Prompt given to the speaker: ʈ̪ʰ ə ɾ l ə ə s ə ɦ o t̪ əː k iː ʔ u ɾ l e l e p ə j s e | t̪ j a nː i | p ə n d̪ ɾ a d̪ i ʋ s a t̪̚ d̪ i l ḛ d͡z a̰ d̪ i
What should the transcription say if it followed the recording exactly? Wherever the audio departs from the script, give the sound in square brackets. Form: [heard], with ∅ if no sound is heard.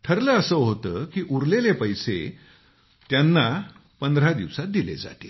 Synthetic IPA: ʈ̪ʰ ə ɾ l ə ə s ə ɦ o t̪ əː k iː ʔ u ɾ l e l e p ə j s e | t̪ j a nː [a] | p ə n d̪ ɾ a d̪ i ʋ s a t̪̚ d̪ i l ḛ d͡z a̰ [t̪] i